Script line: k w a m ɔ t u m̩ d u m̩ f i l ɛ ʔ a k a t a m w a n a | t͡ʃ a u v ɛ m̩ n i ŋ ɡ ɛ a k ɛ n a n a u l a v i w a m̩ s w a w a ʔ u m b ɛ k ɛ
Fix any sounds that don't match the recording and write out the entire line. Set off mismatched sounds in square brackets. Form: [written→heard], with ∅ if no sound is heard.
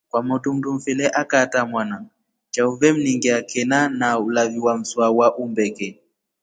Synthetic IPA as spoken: k w a m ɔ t u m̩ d u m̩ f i l ɛ ʔ a k a t a m w a n a | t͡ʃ a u v ɛ m̩ n i ŋ ɡ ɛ a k ɛ n a n a u l a v i w a m̩ s w a w a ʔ u m b ɛ k ɛ